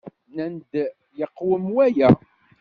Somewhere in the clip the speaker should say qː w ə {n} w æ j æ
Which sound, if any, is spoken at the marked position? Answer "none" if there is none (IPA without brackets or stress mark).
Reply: m